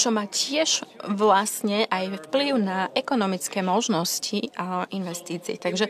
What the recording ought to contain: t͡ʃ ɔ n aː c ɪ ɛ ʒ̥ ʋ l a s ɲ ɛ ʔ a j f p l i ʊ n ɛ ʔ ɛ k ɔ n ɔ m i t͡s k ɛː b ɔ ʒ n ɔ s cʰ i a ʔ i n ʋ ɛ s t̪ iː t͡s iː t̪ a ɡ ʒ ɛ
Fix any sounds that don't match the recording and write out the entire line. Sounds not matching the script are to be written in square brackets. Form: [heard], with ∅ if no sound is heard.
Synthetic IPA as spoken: t͡ʃ ɔ [m] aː c ɪ ɛ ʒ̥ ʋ l a s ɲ ɛ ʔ a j f p l i ʊ n [a] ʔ ɛ k ɔ n ɔ m i t͡s k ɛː [m] ɔ ʒ n ɔ s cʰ i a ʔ i n ʋ ɛ s t̪ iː t͡s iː t̪ a ɡ ʒ ɛ